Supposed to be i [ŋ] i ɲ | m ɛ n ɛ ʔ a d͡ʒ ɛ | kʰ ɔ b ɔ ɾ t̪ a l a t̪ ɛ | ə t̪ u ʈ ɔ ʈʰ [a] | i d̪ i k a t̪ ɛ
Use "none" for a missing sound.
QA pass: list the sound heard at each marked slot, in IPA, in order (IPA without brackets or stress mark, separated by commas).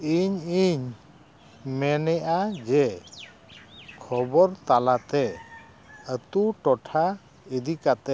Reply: ɲ, a